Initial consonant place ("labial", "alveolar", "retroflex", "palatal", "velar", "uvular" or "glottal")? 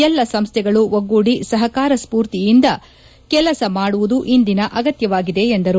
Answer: alveolar